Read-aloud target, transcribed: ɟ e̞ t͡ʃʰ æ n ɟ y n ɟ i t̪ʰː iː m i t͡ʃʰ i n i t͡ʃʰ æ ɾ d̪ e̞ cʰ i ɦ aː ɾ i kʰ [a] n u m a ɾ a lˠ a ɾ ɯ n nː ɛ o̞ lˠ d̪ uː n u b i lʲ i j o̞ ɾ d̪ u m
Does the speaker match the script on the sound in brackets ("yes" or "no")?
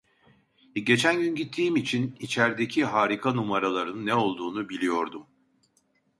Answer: yes